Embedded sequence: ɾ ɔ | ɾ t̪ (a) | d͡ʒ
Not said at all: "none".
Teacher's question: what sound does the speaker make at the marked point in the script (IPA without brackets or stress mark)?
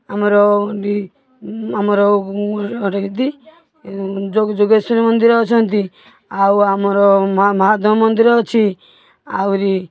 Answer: i